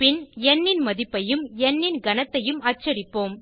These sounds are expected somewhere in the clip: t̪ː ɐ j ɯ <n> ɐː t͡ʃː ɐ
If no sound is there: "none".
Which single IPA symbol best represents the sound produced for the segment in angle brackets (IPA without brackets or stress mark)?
m